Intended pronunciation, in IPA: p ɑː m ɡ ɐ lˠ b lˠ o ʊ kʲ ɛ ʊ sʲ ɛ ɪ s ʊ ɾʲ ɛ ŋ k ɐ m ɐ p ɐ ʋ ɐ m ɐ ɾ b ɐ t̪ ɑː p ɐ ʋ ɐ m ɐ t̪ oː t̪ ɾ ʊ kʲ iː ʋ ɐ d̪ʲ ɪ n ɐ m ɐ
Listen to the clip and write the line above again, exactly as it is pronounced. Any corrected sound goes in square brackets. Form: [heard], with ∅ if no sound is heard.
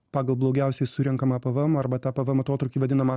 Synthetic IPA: p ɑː [∅] ɡ ɐ lˠ b lˠ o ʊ [ɡʲ] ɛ ʊ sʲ ɛ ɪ s ʊ ɾʲ ɛ ŋ k ɐ m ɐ p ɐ ʋ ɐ m ɐ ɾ b ɐ t̪ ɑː p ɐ ʋ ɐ m ɐ t̪ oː t̪ ɾ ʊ kʲ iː ʋ ɐ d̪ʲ ɪ n ɐ m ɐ